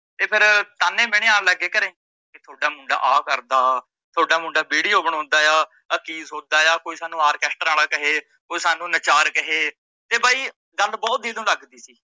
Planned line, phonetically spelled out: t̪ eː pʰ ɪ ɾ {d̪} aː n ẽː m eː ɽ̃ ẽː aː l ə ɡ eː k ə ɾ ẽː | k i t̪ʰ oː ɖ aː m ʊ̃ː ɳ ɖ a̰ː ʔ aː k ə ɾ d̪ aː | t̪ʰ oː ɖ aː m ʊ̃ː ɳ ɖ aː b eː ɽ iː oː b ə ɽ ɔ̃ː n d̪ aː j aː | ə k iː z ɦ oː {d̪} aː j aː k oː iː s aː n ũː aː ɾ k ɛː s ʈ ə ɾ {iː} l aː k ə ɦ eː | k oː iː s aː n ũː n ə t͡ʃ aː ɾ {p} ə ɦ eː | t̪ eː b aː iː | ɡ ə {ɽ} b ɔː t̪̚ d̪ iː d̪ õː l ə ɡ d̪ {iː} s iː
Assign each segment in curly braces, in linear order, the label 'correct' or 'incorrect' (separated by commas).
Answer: incorrect, correct, incorrect, incorrect, incorrect, correct